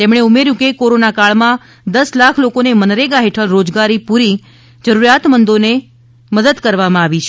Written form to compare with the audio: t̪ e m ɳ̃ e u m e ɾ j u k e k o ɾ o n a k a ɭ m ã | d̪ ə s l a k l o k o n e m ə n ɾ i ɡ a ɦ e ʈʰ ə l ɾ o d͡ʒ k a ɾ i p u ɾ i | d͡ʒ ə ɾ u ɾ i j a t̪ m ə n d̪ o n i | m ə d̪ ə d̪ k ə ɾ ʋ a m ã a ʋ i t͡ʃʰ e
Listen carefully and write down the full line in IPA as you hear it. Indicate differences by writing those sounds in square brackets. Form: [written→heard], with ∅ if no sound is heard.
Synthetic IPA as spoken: t̪ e m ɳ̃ e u m e ɾ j [u→ũ] k e k o ɾ o n a k a ɭ m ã | d̪ ə s l a [k→kʰ] l o k o n e m ə n ɾ [i→e] ɡ a ɦ e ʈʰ ə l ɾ o d͡ʒ [k→ɡ] a ɾ i p u ɾ i | d͡ʒ ə ɾ u ɾ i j a t̪ m ə n d̪ o n [i→e] | m ə d̪ ə d̪ k ə ɾ ʋ a m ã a ʋ i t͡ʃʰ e